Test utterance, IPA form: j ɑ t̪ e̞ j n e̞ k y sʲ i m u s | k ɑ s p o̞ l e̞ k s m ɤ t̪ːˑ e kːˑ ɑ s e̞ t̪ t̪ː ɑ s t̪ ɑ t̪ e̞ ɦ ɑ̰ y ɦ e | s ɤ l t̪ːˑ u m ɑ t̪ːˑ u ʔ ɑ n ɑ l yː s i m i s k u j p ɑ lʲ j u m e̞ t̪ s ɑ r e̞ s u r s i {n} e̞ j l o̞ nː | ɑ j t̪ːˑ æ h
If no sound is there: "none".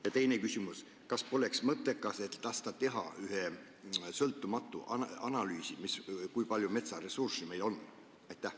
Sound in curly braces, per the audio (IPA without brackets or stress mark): m